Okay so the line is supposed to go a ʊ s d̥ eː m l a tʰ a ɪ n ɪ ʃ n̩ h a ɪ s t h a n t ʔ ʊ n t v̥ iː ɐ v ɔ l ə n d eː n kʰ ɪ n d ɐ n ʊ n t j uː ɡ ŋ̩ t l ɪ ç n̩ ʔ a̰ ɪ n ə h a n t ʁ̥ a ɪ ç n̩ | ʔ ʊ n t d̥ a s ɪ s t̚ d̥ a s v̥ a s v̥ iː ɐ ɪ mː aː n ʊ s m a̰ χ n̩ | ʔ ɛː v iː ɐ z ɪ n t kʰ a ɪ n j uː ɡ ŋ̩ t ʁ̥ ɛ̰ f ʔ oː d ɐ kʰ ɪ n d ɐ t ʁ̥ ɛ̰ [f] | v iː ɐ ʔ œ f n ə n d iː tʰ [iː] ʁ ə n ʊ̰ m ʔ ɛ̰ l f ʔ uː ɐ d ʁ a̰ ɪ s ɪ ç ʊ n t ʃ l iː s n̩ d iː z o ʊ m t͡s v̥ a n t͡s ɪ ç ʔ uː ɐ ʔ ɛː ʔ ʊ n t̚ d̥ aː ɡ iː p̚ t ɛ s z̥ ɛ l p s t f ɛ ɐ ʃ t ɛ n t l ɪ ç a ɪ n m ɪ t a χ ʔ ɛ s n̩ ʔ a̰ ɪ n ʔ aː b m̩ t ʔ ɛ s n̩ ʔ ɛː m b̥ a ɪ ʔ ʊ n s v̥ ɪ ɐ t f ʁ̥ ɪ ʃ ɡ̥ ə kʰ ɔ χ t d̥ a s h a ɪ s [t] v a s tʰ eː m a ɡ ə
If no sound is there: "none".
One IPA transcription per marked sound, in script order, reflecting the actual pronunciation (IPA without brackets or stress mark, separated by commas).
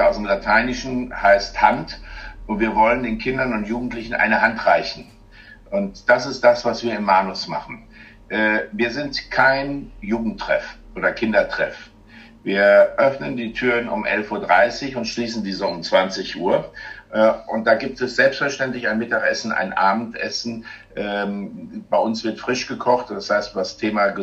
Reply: f, yː, t